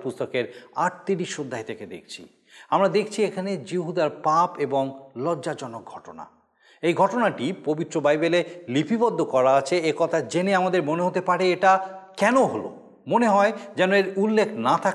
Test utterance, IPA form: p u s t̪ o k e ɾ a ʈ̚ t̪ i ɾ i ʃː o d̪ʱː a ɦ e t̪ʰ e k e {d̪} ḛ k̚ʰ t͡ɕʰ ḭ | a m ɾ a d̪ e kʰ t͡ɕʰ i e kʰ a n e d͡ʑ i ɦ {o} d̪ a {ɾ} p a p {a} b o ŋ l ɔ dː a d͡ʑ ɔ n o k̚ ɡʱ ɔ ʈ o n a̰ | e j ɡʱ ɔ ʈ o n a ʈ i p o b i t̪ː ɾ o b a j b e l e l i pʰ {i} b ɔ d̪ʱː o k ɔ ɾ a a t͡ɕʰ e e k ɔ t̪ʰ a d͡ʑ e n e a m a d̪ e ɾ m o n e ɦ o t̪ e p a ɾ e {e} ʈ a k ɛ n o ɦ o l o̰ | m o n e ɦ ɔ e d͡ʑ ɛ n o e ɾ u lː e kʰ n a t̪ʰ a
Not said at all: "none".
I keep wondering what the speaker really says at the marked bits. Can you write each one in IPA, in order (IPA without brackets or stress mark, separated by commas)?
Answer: d̪, u, ɾ, e, i, e